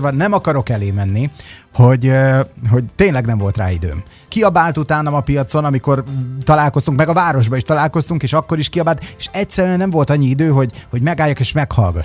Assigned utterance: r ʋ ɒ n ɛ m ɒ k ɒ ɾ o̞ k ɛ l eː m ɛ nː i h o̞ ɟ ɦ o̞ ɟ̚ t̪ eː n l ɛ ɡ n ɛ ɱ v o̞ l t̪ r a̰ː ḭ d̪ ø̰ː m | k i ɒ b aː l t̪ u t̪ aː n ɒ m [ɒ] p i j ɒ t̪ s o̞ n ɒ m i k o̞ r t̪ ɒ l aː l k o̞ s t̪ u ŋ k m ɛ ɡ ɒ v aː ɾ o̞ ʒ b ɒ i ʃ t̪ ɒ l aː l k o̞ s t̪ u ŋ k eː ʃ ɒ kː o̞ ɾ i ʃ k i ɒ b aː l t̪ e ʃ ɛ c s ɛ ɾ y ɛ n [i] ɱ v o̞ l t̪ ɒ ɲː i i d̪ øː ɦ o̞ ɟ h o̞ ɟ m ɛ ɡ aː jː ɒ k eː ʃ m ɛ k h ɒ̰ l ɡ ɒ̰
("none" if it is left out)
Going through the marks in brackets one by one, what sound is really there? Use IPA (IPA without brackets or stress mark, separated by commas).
ɒ, ɛ